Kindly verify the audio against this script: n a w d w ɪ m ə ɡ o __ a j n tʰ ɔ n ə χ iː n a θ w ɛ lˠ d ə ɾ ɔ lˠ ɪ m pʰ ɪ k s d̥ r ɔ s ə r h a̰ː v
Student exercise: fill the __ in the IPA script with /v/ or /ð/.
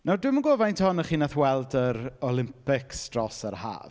v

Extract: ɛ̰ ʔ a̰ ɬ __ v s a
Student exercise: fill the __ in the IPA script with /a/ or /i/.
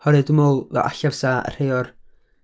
a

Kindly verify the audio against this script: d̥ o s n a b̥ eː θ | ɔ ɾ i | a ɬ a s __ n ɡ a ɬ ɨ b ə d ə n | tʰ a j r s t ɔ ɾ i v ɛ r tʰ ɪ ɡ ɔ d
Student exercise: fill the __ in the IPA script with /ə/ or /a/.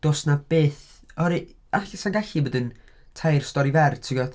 a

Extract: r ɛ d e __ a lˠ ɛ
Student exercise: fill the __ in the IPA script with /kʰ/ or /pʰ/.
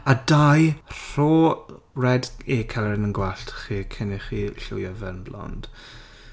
kʰ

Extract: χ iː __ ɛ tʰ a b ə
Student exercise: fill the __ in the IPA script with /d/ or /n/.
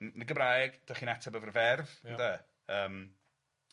n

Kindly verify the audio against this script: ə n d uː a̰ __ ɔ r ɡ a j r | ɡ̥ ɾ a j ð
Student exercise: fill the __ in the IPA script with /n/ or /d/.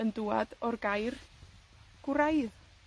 d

